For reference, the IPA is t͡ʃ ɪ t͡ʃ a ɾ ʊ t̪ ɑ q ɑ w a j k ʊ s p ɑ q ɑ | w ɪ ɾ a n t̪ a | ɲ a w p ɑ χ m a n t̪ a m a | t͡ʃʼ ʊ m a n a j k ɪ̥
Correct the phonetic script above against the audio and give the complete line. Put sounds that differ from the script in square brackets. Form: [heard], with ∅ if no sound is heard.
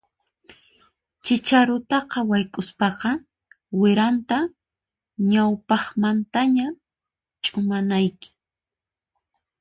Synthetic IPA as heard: t͡ʃ ɪ t͡ʃ a ɾ ʊ t̪ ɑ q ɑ w a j [kʼ] ʊ s p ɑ q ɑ | w ɪ ɾ a n t̪ a | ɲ a w p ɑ χ m a n t̪ a [ɲ] a | t͡ʃʼ ʊ m a n a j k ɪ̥